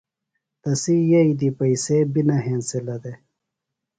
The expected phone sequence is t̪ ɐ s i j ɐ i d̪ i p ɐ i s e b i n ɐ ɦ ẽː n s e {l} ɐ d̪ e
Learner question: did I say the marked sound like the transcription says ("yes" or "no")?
yes